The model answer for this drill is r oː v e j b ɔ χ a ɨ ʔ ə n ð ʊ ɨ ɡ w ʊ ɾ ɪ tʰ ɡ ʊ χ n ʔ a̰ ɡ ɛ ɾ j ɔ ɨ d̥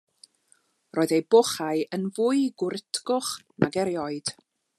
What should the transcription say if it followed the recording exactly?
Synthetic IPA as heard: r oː ð e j b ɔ χ a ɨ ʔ ə n v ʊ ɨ ɡ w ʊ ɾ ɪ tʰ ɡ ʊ χ n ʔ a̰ ɡ ɛ ɾ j ɔ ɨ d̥